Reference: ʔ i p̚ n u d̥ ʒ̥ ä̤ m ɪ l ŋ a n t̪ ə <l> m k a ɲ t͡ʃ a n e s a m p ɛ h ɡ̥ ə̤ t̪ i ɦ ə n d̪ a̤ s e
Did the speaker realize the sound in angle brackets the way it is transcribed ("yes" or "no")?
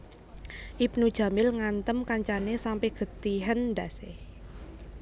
no